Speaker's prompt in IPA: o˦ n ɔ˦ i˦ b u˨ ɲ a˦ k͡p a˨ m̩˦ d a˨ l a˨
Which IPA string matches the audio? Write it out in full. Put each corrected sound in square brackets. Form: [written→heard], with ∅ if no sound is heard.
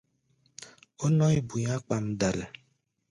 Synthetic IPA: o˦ n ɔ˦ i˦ b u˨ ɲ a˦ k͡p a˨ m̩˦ d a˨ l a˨